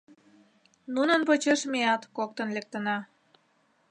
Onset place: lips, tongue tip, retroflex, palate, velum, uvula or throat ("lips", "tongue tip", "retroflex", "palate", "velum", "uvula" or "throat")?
tongue tip